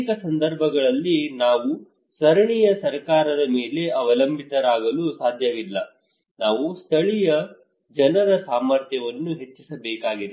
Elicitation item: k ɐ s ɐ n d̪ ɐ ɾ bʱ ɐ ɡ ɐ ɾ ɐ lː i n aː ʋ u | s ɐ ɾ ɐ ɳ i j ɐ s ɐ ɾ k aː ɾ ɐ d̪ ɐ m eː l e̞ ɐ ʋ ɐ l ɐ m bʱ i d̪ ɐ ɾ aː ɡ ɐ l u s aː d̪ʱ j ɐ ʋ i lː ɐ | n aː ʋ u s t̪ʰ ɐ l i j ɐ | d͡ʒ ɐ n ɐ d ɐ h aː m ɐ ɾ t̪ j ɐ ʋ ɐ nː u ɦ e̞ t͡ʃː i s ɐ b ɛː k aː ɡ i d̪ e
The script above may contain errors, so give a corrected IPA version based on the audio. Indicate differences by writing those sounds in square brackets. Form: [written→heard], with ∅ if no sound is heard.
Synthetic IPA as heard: k ɐ s ɐ n d̪ ɐ ɾ bʱ ɐ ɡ ɐ [ɾ→ɭ] ɐ lː i n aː ʋ u | s ɐ ɾ ɐ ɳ i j ɐ s ɐ ɾ k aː ɾ ɐ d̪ ɐ m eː l e̞ ɐ ʋ ɐ l ɐ m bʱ i [d̪→t̪] ɐ ɾ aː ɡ ɐ l u s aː d̪ʱ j ɐ ʋ i lː ɐ | n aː ʋ u s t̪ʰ ɐ [l→ɭ] i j ɐ | d͡ʒ ɐ n ɐ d ɐ [h→s] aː m ɐ ɾ t̪ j ɐ ʋ ɐ nː u ɦ e̞ t͡ʃː i s ɐ b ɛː k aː ɡ i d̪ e